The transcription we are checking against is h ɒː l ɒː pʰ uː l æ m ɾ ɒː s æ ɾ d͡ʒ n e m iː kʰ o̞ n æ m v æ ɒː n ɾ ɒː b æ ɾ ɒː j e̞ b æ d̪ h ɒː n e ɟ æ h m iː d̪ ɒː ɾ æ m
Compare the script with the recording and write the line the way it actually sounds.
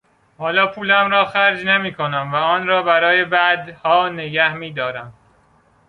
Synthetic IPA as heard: h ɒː l ɒː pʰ uː l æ m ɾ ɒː x æ ɾ d͡ʒ n e m iː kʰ o̞ n æ m v æ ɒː n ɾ ɒː b æ ɾ ɒː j e̞ b æ d̪ h ɒː n e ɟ æ h m iː d̪ ɒː ɾ æ m